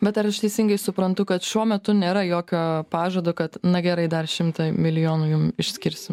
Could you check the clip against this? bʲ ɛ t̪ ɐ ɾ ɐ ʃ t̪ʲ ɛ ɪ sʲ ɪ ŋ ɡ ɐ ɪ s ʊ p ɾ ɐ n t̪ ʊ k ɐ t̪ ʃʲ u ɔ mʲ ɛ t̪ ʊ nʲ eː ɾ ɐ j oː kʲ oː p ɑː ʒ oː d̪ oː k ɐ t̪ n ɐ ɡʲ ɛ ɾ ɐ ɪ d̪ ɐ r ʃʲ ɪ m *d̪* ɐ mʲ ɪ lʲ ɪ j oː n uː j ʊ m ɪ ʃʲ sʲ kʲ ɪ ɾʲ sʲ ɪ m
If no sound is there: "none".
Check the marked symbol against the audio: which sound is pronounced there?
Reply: t̪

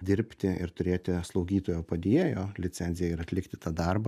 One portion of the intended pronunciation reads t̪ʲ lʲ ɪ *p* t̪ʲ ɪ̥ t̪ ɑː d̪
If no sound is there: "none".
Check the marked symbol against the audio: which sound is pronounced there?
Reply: k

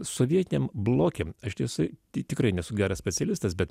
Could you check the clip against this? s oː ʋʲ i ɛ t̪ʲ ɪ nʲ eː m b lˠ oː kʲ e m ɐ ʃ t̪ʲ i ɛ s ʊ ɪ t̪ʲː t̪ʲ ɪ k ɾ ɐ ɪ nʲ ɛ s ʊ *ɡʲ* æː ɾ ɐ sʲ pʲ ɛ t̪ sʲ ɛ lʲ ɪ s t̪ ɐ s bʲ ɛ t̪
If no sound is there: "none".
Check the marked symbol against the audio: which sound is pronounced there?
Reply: ɡʲ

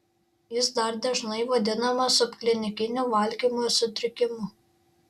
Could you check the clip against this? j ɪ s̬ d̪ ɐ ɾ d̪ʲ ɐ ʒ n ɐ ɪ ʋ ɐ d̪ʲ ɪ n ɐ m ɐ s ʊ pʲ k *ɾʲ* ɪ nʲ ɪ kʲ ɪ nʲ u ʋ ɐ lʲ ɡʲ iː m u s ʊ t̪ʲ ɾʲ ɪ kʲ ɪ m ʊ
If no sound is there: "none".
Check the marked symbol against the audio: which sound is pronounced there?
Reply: lʲ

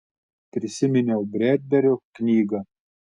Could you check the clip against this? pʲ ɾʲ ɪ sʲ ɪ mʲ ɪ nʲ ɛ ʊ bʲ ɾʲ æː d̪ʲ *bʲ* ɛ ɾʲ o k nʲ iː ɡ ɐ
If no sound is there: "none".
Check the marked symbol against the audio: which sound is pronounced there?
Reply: bʲ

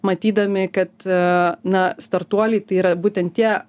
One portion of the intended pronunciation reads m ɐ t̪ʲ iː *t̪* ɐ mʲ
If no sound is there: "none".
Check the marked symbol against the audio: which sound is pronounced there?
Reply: d̪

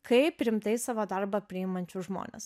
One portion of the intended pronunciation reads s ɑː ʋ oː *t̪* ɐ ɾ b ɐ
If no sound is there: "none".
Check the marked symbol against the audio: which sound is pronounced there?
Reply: d̪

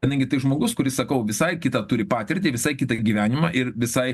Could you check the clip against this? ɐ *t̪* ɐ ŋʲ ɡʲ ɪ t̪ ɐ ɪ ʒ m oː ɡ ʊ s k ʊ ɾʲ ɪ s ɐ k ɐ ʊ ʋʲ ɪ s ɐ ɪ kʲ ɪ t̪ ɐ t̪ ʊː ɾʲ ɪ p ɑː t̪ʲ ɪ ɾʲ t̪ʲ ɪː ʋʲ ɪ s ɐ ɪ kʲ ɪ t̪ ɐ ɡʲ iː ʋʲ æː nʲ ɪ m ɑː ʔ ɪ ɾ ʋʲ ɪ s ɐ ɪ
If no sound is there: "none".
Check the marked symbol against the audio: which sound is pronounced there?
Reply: d̪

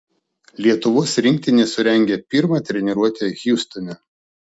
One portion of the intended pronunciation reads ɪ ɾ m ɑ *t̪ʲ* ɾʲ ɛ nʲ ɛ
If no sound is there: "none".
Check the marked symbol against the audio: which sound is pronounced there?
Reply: t̪ʲ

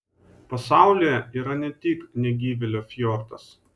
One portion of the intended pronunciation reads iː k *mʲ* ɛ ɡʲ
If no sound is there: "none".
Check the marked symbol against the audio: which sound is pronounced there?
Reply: nʲ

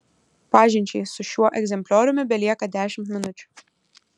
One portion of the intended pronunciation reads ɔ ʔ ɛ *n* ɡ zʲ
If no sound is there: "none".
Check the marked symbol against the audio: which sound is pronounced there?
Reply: none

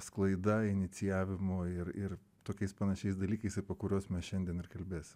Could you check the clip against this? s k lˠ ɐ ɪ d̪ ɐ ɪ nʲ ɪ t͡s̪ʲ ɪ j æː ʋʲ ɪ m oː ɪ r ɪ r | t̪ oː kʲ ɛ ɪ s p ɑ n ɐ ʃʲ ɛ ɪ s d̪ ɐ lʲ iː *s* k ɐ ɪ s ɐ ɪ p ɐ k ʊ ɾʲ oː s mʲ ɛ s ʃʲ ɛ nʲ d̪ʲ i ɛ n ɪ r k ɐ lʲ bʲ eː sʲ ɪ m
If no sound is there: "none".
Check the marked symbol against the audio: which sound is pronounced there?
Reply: none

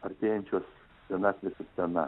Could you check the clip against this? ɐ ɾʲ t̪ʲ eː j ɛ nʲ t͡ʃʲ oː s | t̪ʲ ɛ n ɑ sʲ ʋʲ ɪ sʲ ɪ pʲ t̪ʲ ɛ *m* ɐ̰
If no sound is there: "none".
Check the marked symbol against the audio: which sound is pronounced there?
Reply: n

